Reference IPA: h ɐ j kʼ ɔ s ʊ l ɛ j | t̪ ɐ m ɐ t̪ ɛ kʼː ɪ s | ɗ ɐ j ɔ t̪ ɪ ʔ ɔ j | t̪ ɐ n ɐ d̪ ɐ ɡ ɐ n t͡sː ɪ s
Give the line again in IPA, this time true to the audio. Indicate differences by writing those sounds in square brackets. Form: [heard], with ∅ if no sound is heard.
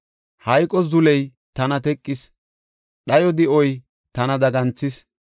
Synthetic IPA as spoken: h ɐ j kʼ ɔ [z] ʊ l ɛ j | t̪ ɐ [n] ɐ t̪ ɛ kʼː ɪ s | ɗ ɐ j ɔ [d̪] ɪ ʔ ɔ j | t̪ ɐ n ɐ d̪ ɐ ɡ ɐ n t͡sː ɪ s